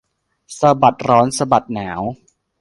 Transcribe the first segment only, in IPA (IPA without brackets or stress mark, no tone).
s